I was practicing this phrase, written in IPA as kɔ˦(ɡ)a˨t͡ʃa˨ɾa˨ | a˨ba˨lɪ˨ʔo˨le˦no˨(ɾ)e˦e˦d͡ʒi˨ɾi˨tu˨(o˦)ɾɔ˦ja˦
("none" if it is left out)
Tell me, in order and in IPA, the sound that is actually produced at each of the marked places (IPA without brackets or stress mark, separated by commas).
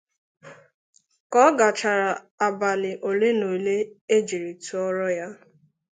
ɡ, l, ɔ˦